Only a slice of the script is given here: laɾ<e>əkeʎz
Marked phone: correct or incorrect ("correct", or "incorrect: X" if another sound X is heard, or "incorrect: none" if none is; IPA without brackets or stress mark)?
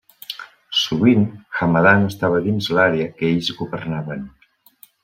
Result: correct